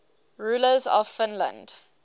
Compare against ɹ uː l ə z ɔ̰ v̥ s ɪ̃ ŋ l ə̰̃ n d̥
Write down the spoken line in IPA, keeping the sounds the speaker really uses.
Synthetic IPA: ɹ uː l ə z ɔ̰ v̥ f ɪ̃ n l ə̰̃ n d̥